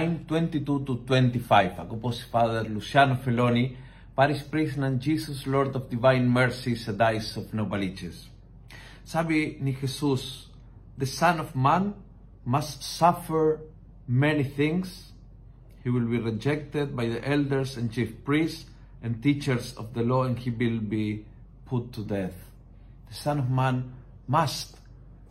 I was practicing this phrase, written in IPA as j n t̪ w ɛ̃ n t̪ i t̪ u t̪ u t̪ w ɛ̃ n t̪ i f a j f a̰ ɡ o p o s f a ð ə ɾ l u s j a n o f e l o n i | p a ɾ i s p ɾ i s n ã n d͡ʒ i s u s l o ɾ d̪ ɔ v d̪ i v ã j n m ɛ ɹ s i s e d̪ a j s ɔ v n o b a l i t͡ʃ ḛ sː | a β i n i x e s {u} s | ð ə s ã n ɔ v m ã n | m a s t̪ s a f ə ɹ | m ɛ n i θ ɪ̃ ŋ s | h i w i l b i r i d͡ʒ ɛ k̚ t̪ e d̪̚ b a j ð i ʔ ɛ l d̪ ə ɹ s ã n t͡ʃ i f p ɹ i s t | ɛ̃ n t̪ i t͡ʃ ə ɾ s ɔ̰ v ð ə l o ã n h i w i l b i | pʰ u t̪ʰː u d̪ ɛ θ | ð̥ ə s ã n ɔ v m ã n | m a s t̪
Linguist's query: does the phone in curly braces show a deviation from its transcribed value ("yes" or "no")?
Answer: no